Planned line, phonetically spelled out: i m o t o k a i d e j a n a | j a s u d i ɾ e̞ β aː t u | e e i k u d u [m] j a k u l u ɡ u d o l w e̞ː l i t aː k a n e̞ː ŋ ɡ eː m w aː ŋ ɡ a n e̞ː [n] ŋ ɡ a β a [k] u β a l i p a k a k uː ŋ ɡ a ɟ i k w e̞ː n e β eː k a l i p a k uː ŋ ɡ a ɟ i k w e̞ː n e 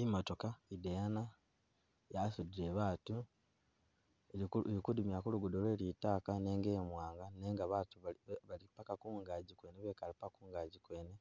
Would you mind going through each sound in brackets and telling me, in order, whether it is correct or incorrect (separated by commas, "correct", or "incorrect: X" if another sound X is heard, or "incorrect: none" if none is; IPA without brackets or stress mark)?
correct, incorrect: none, incorrect: t